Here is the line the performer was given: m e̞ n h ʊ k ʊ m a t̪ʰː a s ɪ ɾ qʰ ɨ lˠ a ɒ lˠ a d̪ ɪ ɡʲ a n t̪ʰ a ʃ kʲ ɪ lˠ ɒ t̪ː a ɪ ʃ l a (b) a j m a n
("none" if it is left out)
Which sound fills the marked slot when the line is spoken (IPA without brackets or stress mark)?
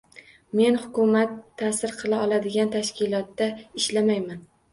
m